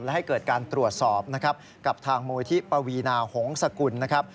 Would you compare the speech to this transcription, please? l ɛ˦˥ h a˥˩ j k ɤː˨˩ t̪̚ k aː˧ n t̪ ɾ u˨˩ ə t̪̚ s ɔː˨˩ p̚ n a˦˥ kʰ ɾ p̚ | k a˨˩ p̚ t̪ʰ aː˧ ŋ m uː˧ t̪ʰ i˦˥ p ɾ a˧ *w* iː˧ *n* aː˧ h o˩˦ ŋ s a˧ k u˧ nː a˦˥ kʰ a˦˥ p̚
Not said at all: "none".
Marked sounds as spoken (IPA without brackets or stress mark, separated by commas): w, n